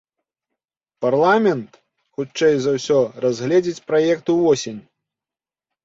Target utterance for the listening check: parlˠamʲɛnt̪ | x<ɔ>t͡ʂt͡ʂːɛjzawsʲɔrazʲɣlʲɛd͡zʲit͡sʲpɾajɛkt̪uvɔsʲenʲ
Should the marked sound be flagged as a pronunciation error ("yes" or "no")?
yes